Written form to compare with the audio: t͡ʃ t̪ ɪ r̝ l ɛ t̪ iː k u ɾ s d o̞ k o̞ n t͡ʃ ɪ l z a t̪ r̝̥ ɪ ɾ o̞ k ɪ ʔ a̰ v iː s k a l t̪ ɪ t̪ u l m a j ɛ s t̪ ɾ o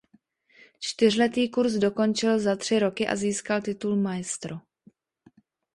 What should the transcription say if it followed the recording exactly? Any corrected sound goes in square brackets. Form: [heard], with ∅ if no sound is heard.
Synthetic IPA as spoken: t͡ʃ t̪ ɪ r̝ l ɛ t̪ iː k u ɾ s d o̞ k o̞ n t͡ʃ ɪ l z a t̪ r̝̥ ɪ ɾ o̞ k ɪ ʔ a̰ [z] iː s k a l t̪ ɪ t̪ u l m a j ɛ s t̪ ɾ o